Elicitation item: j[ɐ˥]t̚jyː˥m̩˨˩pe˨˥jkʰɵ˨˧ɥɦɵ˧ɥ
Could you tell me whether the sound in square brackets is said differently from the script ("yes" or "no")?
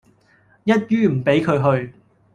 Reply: no